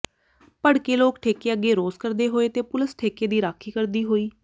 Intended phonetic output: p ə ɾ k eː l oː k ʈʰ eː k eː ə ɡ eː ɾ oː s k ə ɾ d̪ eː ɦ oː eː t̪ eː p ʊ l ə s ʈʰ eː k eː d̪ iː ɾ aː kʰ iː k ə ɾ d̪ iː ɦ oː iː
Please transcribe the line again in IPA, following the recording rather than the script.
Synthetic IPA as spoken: p ə ɽ k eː l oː k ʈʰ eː k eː ə ɡ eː ɾ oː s k ə ɾ d̪ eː ɦ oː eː t̪ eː p ʊ l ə s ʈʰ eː k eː d̪ iː ɾ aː kʰ iː k ə ɾ d̪ iː ɦ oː iː